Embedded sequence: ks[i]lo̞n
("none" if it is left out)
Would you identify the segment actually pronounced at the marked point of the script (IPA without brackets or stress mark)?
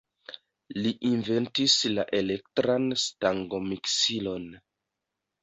i